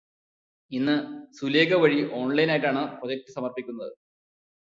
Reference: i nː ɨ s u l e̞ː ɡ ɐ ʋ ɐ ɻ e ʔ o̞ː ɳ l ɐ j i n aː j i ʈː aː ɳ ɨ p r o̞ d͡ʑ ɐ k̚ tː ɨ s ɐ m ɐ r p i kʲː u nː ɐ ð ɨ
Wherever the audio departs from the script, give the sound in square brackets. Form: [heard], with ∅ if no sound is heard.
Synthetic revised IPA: i nː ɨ s u l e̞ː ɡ ɐ ʋ ɐ ɻ [i] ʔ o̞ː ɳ l ɐ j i n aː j i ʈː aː ɳ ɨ p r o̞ d͡ʑ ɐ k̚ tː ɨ s ɐ m ɐ r p i kʲː u nː ɐ ð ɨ